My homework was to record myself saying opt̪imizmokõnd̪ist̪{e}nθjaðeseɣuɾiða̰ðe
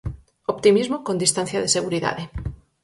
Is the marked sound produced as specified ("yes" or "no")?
no